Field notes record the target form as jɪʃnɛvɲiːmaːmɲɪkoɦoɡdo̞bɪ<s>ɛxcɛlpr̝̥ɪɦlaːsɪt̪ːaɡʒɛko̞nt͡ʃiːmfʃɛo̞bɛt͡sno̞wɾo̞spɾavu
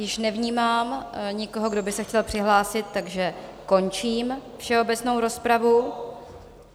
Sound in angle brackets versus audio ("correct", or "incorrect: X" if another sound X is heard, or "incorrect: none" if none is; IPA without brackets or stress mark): correct